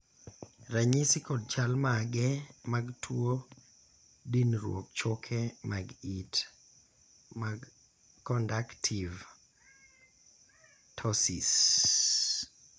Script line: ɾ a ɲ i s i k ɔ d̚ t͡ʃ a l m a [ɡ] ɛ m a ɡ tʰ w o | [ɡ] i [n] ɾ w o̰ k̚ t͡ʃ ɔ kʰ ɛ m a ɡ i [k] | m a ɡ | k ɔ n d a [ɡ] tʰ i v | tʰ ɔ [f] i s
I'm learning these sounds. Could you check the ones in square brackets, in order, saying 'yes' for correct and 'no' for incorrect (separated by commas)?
yes, no, yes, no, no, no